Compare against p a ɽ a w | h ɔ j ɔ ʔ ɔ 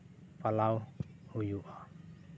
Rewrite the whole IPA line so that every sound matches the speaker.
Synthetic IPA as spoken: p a l a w | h u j u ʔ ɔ